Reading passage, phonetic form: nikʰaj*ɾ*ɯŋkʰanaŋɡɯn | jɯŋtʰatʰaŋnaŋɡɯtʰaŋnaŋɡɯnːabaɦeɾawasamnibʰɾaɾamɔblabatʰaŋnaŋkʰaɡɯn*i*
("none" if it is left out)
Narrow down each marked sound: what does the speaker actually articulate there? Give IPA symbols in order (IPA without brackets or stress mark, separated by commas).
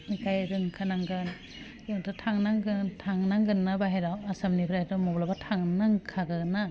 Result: ɾ, a